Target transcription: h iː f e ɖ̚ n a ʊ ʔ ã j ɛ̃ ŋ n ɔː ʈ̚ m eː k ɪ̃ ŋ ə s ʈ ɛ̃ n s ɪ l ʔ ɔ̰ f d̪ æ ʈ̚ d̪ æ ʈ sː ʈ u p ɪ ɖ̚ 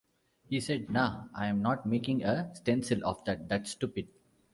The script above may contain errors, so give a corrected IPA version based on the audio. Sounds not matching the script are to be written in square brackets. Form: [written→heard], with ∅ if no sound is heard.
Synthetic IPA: h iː [f→s] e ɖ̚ n a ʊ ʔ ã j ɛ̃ [ŋ→m] n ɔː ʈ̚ m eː k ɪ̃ ŋ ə s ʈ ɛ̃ n s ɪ l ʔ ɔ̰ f d̪ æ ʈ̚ d̪ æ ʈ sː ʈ u p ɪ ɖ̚